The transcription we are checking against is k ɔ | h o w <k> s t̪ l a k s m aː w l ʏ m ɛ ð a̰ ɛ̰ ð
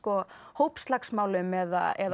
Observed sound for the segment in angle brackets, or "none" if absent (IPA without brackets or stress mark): p